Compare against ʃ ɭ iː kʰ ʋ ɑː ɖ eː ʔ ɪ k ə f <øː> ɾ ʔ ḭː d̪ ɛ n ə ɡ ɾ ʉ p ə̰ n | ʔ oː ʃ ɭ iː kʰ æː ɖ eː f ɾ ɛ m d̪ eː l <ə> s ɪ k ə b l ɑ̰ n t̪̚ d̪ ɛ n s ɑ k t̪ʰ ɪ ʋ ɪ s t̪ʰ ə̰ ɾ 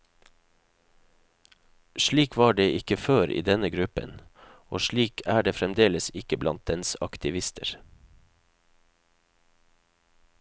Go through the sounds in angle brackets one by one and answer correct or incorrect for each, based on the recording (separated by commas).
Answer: correct, correct